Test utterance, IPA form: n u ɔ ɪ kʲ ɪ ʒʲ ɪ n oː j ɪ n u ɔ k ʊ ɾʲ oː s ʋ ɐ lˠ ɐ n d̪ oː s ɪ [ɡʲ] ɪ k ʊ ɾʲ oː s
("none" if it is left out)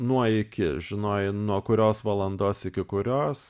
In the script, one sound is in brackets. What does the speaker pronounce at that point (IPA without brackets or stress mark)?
kʲ